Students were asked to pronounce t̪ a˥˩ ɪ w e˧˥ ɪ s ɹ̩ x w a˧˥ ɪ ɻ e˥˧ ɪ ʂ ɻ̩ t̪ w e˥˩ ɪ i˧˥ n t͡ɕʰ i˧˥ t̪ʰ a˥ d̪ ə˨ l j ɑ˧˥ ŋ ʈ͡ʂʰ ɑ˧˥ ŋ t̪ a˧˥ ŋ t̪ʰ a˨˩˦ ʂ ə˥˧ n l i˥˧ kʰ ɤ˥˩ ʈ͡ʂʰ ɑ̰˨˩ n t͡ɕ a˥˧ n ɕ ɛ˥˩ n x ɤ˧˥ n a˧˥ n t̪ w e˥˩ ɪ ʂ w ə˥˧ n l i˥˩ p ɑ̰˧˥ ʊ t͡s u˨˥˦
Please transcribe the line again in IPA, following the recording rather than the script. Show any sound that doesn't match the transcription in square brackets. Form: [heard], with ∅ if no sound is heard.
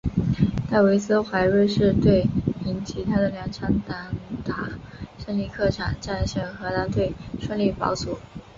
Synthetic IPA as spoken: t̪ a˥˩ ɪ w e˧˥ ɪ s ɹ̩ x w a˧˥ ɪ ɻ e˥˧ ɪ ʂ ɻ̩ t̪ w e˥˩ ɪ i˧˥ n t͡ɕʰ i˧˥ t̪ʰ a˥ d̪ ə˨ l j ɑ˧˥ ŋ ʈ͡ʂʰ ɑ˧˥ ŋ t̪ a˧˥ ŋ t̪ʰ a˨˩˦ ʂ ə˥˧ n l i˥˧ kʰ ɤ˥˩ ʈ͡ʂʰ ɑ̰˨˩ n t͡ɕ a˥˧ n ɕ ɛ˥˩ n x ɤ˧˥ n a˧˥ n t̪ w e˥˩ ɪ ʂ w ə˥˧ n l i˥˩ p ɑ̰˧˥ ʊ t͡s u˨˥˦